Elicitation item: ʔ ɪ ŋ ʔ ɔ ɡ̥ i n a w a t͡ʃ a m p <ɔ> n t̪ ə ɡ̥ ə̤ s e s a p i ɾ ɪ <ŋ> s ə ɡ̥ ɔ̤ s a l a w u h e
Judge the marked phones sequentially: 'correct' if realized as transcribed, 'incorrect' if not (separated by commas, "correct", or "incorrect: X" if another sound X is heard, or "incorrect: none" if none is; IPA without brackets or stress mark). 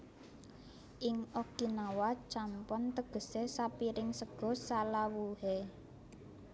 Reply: correct, correct